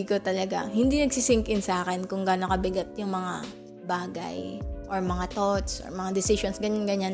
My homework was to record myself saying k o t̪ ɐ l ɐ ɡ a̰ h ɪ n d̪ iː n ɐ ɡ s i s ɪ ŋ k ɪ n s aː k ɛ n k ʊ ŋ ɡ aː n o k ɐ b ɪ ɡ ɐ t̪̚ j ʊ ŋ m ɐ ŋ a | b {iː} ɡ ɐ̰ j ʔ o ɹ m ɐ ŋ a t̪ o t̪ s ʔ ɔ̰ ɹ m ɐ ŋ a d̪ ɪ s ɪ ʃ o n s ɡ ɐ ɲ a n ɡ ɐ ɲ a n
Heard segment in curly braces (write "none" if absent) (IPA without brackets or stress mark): aː